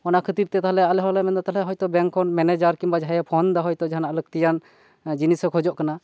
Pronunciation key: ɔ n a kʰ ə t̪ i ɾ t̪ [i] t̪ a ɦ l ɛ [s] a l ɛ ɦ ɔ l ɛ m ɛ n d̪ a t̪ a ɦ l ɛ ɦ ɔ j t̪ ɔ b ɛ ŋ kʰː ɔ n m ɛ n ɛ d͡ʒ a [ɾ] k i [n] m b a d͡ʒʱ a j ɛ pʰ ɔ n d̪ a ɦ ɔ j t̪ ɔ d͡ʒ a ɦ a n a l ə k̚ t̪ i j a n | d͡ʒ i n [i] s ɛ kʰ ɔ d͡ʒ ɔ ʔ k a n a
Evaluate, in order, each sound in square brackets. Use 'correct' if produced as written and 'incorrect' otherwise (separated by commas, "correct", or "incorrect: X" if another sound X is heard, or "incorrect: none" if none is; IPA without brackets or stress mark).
incorrect: ɛ, incorrect: none, correct, incorrect: none, correct